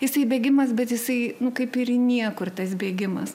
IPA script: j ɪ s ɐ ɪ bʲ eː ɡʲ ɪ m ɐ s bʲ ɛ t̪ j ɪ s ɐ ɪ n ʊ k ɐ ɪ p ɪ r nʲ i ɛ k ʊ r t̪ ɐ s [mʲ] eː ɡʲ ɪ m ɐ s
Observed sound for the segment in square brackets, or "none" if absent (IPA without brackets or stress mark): bʲ